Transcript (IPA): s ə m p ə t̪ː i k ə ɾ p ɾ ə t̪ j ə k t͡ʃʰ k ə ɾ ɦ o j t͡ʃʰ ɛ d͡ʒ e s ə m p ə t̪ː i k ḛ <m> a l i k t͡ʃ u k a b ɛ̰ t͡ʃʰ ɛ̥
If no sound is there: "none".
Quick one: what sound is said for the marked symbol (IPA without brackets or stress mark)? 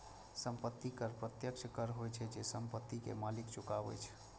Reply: m